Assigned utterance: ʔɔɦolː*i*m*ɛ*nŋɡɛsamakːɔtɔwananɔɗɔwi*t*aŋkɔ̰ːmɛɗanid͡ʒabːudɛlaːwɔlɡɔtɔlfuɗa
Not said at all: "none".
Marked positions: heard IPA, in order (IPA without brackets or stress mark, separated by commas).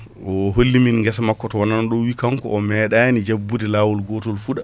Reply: i, i, k